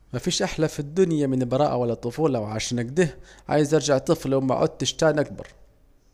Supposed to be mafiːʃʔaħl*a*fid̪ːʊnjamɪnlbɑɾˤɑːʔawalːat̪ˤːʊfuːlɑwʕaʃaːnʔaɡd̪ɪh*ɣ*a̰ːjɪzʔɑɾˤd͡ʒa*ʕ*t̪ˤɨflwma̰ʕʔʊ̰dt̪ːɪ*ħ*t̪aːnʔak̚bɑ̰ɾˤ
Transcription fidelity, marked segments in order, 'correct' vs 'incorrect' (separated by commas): correct, incorrect, correct, incorrect